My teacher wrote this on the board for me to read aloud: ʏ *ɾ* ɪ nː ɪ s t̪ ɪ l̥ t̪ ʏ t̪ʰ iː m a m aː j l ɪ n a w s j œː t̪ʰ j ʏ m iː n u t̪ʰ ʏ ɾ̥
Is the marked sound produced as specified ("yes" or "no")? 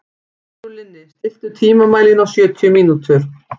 no